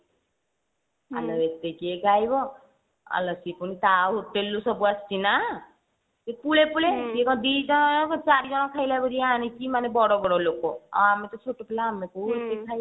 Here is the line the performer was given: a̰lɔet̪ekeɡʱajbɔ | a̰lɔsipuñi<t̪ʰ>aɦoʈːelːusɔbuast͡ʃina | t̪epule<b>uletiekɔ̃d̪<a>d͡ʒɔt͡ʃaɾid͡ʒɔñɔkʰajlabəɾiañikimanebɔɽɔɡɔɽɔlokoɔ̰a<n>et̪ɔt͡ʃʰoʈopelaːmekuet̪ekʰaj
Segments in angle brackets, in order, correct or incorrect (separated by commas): incorrect, incorrect, incorrect, incorrect